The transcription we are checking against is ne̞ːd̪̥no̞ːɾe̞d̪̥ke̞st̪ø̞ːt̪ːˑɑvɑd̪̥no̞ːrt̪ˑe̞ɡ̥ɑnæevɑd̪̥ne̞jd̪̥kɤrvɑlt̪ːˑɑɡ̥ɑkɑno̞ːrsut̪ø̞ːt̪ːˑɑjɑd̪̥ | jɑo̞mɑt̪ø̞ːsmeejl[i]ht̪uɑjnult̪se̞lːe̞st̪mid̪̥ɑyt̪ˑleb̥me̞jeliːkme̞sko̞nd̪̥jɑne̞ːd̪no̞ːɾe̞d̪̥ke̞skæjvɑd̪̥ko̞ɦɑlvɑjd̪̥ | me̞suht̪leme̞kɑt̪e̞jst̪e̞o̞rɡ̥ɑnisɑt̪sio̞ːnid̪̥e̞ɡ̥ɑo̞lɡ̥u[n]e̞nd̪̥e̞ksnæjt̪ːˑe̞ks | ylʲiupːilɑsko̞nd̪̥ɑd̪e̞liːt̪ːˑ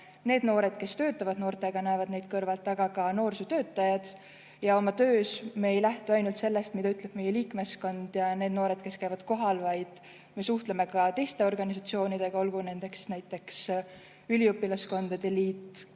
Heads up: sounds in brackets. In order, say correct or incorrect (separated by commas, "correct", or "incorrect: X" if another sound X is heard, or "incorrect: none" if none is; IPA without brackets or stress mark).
incorrect: æ, correct